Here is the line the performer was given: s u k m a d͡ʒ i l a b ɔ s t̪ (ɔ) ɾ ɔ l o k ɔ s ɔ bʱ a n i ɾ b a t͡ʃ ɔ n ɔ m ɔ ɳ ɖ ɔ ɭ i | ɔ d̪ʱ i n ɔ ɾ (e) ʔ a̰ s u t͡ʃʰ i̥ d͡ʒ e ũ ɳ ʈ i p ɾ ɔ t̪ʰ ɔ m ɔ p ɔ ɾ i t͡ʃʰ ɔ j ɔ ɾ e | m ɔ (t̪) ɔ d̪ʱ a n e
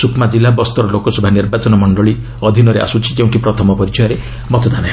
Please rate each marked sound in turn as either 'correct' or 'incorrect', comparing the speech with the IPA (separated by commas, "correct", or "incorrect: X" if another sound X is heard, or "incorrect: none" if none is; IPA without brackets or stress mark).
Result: correct, correct, correct